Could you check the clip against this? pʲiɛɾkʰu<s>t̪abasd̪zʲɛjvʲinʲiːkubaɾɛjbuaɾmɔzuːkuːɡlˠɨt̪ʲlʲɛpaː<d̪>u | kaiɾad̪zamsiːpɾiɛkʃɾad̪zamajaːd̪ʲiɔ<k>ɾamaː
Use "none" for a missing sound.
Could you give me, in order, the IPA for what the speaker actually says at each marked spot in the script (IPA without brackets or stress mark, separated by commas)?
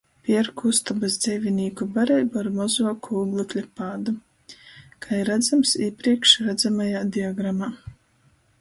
s, d̪, ɡ